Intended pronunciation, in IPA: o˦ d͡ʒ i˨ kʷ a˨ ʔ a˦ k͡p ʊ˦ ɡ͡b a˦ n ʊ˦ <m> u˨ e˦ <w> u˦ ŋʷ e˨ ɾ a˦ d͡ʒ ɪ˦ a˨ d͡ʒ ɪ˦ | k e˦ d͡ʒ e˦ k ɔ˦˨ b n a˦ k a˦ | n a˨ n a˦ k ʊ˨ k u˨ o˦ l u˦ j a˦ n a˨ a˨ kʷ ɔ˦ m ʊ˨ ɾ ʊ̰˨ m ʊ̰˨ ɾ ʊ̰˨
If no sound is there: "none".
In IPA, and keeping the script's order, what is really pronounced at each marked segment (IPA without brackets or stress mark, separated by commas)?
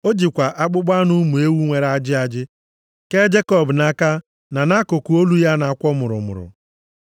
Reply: m, w